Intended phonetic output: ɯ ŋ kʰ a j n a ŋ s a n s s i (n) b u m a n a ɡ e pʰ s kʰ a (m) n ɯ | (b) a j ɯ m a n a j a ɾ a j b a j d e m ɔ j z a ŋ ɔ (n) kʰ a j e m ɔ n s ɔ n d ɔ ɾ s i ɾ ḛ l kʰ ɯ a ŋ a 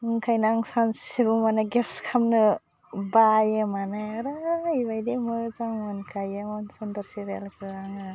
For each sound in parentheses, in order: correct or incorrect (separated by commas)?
incorrect, correct, correct, correct